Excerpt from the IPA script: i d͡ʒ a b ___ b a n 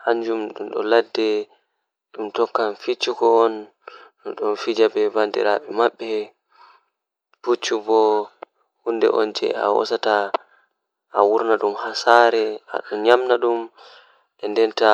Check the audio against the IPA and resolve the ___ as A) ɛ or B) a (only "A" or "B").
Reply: A